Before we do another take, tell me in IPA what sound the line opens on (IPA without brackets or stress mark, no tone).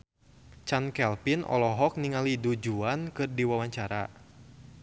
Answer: t͡ʃ